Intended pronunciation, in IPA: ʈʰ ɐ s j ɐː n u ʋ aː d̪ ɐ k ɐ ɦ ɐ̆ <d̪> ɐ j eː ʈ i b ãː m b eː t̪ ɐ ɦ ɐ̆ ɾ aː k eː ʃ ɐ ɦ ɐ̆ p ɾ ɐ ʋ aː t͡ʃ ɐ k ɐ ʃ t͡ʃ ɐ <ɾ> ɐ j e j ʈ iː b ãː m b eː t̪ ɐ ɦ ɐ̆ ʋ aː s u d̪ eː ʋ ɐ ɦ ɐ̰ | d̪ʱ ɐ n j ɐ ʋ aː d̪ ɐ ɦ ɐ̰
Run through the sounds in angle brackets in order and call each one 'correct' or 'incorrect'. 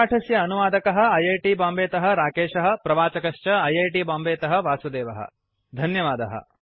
incorrect: none, incorrect: none

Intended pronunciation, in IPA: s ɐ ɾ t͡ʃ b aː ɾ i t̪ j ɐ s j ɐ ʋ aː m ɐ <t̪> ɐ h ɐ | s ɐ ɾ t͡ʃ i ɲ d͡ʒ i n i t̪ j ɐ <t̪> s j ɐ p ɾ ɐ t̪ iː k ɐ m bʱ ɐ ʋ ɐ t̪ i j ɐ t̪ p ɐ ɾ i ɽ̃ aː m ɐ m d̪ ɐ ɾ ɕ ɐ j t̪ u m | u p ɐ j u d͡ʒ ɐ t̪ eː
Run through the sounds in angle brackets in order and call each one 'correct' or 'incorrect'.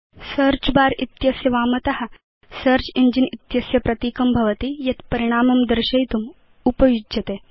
correct, incorrect: none

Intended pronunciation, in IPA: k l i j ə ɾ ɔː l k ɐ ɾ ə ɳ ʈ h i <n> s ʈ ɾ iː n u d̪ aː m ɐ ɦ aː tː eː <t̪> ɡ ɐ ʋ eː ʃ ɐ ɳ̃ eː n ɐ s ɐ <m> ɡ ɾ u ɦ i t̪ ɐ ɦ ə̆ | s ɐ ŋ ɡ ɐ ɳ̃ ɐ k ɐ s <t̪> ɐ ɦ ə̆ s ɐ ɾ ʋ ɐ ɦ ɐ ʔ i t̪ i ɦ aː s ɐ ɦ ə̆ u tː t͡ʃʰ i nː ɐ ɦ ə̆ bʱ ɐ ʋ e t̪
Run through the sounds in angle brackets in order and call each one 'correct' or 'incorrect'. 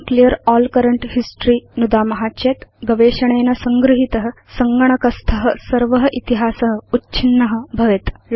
incorrect: none, correct, incorrect: ŋ, incorrect: t̪ʰ

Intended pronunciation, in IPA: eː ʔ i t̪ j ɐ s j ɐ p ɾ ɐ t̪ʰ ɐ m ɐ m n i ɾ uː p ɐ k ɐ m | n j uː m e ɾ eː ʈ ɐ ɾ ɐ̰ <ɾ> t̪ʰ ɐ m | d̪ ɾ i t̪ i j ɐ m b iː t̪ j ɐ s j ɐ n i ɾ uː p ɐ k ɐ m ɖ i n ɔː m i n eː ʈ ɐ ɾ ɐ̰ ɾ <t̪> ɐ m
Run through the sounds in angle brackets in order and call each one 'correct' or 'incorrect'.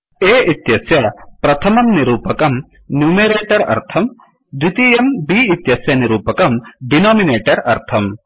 correct, incorrect: t̪ʰ

